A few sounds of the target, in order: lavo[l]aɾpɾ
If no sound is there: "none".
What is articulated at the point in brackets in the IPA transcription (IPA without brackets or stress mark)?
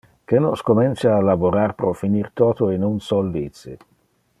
ɾ